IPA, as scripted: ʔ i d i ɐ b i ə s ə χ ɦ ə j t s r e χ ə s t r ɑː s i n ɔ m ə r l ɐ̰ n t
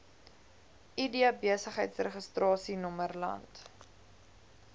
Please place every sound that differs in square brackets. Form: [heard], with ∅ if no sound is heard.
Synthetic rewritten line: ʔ i d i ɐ b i ə s ə χ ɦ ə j t s r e χ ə s t r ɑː s i n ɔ m ə r l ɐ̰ n t